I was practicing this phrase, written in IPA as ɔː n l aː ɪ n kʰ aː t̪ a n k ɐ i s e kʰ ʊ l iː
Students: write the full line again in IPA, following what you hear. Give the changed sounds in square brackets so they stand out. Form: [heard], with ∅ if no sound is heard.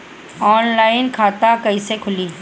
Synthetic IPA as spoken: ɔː n l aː ɪ n kʰ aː t̪ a [∅] k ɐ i s e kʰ ʊ l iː